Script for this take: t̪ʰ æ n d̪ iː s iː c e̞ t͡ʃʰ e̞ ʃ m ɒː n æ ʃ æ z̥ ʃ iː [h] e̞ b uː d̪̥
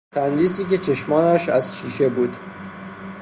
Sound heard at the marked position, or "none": ʃ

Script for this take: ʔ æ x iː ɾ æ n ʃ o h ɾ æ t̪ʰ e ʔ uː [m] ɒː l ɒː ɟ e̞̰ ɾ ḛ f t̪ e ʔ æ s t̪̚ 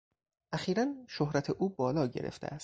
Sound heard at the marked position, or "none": b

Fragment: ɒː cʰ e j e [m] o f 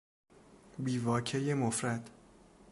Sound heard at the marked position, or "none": m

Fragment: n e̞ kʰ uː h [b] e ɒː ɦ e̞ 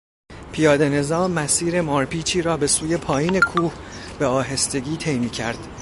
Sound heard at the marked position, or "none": b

